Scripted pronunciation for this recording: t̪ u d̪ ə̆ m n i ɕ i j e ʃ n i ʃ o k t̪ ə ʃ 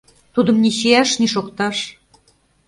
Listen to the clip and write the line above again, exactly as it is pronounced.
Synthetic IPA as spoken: t̪ u d̪ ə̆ m n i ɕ i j æ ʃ n i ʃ o k t̪ ɑ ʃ